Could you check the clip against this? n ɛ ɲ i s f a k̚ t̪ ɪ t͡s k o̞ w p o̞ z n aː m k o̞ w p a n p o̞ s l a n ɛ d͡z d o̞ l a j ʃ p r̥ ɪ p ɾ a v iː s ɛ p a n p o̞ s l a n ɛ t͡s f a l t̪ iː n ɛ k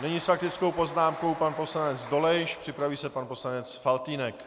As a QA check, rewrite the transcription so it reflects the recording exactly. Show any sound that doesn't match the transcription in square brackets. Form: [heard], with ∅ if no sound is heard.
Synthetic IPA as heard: n ɛ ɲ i s f a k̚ t̪ ɪ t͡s k o̞ w p o̞ z n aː m k o̞ w p a n p o̞ s l a n ɛ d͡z d o̞ l [ɛ] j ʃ p r̥ ɪ p ɾ a v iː s ɛ p a n p o̞ s l a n ɛ t͡s f a l t̪ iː n ɛ k